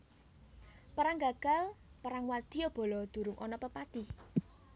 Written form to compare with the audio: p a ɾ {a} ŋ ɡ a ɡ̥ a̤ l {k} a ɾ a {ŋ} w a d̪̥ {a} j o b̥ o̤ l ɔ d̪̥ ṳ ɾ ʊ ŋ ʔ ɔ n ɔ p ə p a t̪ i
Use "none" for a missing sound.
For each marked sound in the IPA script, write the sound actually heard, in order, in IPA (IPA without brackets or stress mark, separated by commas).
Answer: a, p, ŋ, i